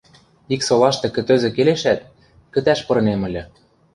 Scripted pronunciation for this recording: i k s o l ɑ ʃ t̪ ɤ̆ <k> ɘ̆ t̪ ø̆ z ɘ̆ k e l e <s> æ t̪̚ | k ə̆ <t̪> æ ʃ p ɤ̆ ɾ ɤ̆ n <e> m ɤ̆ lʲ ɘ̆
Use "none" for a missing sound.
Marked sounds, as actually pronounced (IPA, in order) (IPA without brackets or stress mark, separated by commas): k, ʃ, t̪, e